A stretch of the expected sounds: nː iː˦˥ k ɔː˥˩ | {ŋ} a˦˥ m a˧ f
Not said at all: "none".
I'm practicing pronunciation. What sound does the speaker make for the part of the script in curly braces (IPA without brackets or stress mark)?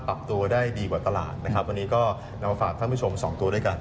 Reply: n